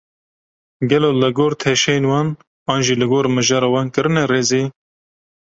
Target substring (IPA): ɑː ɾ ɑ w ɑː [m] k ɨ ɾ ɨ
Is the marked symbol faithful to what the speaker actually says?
no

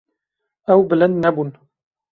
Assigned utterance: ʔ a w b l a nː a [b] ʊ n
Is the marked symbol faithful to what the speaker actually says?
yes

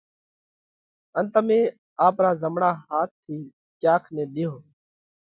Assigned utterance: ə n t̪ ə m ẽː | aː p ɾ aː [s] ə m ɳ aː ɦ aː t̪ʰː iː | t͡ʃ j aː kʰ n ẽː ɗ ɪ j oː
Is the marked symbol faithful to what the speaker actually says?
no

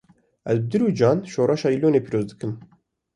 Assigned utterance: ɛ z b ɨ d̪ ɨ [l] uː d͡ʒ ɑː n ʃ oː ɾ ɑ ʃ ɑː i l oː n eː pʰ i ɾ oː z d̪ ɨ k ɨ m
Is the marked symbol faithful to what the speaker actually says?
no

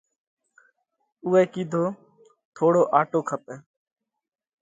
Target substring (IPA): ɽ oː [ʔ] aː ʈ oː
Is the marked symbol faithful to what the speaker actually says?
yes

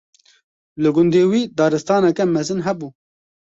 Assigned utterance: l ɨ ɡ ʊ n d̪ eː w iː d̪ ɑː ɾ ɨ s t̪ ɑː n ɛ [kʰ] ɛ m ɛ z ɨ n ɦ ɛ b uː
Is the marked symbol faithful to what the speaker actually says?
no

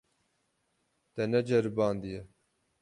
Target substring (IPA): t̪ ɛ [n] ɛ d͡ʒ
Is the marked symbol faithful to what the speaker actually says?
yes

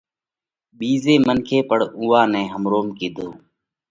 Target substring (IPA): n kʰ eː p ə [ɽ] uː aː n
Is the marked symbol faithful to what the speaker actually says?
yes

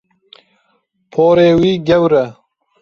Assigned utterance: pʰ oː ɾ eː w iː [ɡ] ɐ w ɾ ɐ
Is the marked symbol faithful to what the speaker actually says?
yes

